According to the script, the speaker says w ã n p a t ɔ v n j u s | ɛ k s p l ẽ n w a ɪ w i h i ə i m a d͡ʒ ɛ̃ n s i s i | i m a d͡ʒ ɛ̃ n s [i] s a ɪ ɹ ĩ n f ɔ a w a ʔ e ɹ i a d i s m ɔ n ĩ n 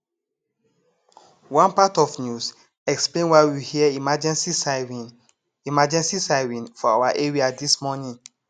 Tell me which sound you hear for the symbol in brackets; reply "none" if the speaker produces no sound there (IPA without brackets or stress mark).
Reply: i